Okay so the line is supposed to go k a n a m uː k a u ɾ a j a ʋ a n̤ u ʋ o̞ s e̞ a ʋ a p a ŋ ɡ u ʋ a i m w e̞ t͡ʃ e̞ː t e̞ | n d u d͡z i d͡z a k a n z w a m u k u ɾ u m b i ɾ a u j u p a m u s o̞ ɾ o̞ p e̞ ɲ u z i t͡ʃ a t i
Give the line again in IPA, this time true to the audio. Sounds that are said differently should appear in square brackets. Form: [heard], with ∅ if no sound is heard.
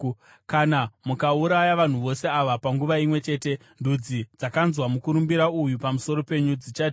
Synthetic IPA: k a n a m [u] k a u ɾ a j a ʋ a n̤ u ʋ o̞ s e̞ a ʋ a p a ŋ ɡ u ʋ a i m w e̞ t͡ʃ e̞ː t e̞ | n d u d͡z i d͡z a k a n z w a m u k u ɾ u m b i ɾ a u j u p a m u s o̞ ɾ o̞ p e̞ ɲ u [d͡z] i t͡ʃ a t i